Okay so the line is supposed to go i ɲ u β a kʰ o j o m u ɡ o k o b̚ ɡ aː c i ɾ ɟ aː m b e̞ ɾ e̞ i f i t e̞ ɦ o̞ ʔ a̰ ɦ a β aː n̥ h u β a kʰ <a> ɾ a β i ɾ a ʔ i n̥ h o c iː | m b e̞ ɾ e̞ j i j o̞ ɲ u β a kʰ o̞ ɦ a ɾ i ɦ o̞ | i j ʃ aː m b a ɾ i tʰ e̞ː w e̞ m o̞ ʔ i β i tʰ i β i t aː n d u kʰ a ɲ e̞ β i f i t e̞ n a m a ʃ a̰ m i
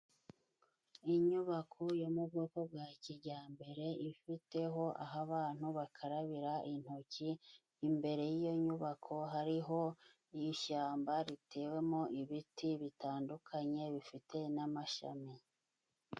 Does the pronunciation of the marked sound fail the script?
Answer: no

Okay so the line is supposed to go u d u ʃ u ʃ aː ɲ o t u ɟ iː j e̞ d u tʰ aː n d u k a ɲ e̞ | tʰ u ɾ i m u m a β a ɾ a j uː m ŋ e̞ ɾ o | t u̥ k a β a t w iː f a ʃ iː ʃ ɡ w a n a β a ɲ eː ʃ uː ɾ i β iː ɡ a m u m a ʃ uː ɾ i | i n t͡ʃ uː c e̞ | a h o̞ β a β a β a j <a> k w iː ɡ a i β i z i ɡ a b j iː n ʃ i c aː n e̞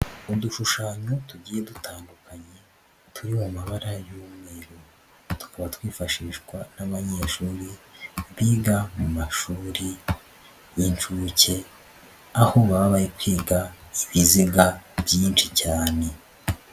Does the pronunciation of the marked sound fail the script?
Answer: yes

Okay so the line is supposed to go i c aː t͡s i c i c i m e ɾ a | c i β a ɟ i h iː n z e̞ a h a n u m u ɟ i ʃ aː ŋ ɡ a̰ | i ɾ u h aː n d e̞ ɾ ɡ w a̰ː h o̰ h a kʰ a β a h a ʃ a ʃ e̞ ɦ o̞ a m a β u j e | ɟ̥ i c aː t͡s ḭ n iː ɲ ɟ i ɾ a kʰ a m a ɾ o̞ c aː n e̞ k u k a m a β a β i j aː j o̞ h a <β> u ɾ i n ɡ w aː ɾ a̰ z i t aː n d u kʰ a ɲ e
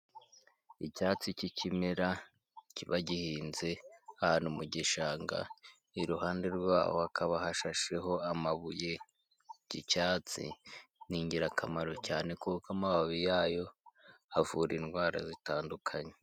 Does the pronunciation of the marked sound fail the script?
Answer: yes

